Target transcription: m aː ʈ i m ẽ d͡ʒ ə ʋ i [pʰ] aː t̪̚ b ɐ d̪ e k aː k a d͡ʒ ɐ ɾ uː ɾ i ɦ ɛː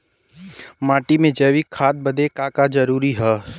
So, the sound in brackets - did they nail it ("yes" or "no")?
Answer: no